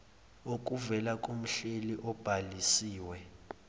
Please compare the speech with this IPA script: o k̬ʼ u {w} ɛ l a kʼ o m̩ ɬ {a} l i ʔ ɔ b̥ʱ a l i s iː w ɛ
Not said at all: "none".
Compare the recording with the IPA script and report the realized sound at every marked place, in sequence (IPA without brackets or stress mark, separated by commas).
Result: v, e